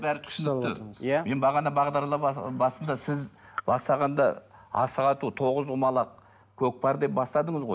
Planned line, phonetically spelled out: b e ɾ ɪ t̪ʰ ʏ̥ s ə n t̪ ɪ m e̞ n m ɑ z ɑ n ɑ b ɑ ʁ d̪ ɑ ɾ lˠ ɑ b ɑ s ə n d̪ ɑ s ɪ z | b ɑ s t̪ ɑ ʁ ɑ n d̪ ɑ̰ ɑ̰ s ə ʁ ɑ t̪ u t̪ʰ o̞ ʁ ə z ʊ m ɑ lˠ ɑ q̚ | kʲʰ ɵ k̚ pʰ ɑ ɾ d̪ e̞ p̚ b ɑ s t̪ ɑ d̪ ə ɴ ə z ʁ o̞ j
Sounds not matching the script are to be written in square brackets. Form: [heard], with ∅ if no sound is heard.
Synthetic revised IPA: b [æ] ɾ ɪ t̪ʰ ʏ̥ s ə n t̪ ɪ m e̞ n [b] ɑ [ʁ] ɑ n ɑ b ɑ ʁ d̪ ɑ ɾ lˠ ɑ b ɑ s ə n d̪ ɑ s ɪ z | b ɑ s t̪ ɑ ʁ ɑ n d̪ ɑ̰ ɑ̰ s ə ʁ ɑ t̪ u t̪ʰ o̞ ʁ ə z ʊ m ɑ lˠ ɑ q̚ | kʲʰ ɵ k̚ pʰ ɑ ɾ d̪ e̞ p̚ b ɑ s t̪ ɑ d̪ ə ɴ ə z ʁ o̞ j